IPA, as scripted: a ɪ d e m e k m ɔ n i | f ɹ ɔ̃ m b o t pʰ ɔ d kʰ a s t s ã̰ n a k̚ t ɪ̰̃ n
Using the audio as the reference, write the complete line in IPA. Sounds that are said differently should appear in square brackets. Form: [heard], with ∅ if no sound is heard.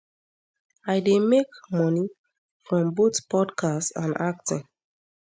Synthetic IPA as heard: a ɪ d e m e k m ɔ n i | f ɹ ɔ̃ m b o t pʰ ɔ d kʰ a s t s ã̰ n a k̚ t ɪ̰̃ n